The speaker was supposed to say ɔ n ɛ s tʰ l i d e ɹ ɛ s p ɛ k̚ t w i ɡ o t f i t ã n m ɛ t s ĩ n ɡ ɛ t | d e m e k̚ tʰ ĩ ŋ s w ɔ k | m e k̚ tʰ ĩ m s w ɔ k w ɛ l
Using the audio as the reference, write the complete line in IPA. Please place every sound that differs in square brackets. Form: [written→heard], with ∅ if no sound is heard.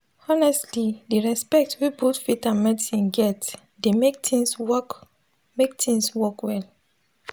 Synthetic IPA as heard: ɔ n ɛ s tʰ l i d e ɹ ɛ s p ɛ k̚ t w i [ɡ→b] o t f i t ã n m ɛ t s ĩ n ɡ ɛ t | d e m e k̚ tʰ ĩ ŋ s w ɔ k | m e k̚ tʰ ĩ [m→ŋ] s w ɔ k w ɛ l